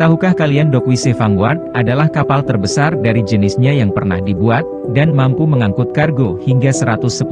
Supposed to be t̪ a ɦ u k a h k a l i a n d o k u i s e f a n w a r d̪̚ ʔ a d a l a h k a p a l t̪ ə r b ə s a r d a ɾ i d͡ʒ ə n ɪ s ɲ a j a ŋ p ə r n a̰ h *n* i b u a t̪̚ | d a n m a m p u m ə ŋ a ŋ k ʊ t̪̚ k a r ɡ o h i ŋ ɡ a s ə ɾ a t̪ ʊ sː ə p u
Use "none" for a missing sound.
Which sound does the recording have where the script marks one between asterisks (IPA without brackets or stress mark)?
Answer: d